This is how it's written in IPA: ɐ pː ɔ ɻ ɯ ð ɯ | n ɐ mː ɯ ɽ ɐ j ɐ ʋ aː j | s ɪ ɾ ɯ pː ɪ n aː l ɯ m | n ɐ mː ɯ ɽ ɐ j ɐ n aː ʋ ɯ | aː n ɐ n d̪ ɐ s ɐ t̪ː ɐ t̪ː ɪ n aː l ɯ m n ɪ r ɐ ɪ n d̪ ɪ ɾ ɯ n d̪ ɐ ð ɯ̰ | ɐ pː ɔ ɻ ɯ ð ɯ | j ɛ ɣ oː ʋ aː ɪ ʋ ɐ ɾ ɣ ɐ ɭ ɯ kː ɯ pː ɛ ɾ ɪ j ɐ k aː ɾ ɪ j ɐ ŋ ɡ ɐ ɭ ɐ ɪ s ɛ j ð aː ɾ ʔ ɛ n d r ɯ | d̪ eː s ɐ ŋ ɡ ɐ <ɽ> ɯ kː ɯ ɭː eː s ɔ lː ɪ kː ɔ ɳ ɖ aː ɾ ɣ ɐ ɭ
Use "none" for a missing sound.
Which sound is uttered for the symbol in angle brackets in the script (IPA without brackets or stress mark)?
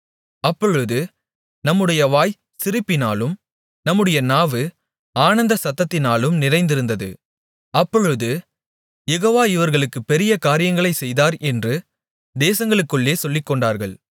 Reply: ɭ